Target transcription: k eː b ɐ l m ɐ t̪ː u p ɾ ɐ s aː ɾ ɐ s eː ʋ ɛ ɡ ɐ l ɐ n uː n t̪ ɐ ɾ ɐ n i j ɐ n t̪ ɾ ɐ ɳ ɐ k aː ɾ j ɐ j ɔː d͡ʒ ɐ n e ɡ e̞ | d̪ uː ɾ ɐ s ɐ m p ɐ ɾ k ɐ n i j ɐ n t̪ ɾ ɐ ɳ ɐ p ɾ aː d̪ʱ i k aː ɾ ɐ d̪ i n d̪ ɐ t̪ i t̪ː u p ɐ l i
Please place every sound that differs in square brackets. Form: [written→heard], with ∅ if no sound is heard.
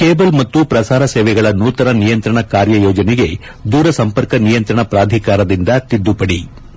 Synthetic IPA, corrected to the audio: k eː b ɐ l m ɐ t̪ː u p ɾ ɐ s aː ɾ ɐ s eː ʋ ɛ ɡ ɐ [l→ɭ] ɐ n uː [n→∅] t̪ ɐ ɾ ɐ n i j ɐ n t̪ ɾ ɐ ɳ ɐ k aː ɾ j ɐ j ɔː d͡ʒ ɐ n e ɡ e̞ | d̪ uː ɾ ɐ s ɐ m p ɐ ɾ k ɐ n i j ɐ n t̪ ɾ ɐ ɳ ɐ p ɾ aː d̪ʱ i k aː ɾ ɐ d̪ i n d̪ ɐ t̪ i [t̪ː→d̪ː] u p ɐ [l→ɽ] i